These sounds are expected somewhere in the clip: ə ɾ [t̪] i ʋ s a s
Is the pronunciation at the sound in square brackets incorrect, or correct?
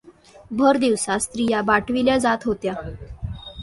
incorrect